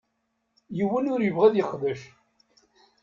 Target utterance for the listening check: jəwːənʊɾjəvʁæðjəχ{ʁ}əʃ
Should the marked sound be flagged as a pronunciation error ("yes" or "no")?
yes